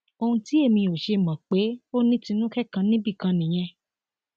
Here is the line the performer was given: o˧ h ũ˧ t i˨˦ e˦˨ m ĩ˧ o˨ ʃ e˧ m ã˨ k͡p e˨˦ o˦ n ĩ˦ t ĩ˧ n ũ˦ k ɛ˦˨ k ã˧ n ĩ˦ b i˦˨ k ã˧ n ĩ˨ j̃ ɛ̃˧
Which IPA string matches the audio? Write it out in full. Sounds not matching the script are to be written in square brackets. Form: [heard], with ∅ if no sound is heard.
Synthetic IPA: o˧ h ũ˧ t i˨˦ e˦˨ m ĩ˧ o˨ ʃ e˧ m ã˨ k͡p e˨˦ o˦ n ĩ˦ t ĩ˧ n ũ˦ k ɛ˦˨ k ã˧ n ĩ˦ b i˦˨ k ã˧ n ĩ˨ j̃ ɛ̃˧